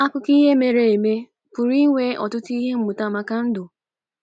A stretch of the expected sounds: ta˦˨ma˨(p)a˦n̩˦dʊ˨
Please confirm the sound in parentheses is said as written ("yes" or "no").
no